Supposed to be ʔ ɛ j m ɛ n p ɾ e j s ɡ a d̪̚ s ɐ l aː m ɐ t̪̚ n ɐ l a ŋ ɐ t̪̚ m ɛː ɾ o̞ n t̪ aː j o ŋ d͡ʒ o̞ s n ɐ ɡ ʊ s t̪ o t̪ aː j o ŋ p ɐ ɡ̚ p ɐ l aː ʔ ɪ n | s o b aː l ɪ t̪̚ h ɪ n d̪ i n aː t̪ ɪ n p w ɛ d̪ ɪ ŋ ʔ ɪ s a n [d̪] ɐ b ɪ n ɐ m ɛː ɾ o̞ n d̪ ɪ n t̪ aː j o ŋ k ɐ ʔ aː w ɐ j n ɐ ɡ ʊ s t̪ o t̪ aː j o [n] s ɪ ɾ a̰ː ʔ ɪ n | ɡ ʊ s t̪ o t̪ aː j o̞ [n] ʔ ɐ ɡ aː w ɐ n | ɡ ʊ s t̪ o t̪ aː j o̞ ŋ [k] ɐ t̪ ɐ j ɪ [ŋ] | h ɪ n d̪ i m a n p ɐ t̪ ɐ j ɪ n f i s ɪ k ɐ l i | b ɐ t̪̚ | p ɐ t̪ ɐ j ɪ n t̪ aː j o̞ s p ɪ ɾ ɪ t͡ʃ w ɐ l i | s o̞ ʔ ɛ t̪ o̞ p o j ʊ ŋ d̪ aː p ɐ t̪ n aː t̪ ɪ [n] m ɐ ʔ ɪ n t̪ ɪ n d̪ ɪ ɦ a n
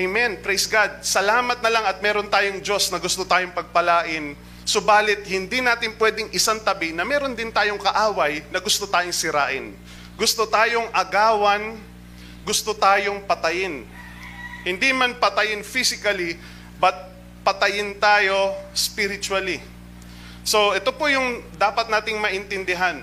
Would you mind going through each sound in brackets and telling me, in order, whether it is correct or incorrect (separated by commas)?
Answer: incorrect, incorrect, incorrect, incorrect, incorrect, incorrect